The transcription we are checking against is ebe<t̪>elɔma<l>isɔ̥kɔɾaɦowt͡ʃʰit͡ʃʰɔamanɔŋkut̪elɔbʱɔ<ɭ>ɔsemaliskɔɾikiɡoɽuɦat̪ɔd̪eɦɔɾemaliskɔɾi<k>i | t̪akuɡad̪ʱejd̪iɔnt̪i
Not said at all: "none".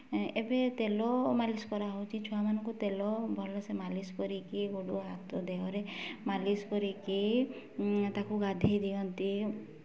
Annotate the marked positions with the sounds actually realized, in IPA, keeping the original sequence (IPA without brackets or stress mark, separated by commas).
t̪, l, l, k